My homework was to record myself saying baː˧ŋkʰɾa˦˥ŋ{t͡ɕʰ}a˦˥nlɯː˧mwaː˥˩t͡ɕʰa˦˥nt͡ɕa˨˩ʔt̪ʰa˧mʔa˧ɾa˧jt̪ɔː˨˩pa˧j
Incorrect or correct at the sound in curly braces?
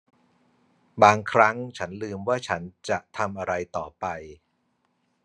correct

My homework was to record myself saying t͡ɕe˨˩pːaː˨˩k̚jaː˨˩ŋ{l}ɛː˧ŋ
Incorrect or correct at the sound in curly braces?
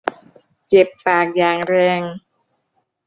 incorrect: ɾ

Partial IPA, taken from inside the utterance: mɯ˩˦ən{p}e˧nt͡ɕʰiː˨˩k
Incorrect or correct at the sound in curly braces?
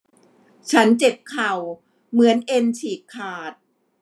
incorrect: ʔ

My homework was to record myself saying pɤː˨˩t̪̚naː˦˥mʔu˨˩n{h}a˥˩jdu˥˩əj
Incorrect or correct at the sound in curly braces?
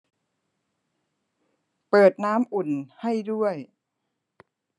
correct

